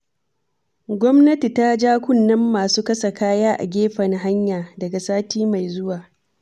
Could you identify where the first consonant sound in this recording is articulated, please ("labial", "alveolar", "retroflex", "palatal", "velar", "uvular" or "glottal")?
velar